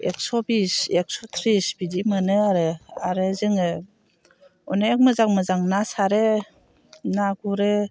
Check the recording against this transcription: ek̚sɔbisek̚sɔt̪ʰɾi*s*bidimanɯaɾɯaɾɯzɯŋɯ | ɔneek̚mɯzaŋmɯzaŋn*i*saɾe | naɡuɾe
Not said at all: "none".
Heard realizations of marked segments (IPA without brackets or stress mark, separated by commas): s, a